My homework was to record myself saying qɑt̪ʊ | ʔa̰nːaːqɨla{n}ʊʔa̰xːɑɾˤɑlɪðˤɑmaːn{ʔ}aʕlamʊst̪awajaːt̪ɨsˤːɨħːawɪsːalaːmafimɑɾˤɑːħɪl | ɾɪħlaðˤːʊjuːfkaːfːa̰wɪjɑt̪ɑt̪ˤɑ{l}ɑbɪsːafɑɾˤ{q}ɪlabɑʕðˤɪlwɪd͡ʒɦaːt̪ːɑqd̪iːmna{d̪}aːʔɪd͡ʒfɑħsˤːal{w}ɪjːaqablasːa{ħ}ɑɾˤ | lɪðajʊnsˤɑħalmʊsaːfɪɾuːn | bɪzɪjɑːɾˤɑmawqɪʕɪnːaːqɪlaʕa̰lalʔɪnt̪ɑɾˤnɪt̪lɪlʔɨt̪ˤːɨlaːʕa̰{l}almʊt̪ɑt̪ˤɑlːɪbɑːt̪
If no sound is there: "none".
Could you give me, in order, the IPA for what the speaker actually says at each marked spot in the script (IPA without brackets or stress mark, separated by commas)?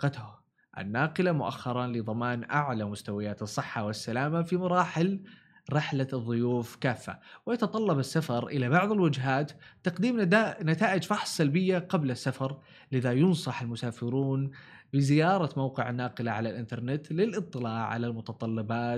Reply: m, ʔ, lː, ʔ, t̪, b, f, l